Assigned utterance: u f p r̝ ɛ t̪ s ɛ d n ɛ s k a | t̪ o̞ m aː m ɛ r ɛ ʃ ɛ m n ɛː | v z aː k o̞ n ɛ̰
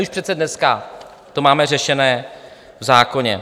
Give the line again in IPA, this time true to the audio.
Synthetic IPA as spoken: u ʃ p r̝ ɛ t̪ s ɛ d n ɛ s k a | t̪ o̞ m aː m ɛ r ɛ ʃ ɛ n ɛː | v z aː k o̞ ɲ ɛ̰